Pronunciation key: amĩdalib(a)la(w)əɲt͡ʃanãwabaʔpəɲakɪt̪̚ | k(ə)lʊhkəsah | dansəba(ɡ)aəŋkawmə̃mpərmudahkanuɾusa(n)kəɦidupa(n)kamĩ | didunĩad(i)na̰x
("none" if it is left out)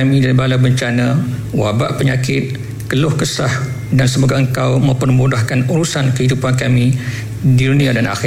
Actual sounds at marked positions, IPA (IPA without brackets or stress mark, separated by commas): a, b, ə, ɡ, n, n, a